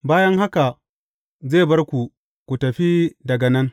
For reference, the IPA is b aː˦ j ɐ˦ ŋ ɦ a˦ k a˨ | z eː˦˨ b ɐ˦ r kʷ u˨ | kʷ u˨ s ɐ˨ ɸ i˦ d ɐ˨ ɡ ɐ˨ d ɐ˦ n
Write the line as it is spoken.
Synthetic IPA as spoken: b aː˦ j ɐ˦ ŋ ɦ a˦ k a˨ | z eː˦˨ b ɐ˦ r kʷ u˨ | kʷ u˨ t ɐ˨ ɸ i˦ d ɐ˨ ɡ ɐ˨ n ɐ˦ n